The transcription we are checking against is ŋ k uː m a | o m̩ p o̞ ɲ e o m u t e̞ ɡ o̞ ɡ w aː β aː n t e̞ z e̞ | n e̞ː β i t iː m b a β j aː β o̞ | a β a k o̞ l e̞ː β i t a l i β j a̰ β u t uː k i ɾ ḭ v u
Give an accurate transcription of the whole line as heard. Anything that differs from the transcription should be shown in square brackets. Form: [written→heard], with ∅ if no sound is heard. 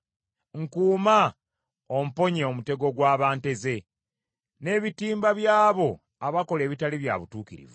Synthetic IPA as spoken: ŋ k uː m a | o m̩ p o̞ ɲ e o m u t e̞ ɡ o̞ ɡ w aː β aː n t e̞ z e̞ | n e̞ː β i t iː m b a β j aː β o̞ | a β a k o̞ l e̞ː β i t a l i β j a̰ β u t uː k i ɾ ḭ v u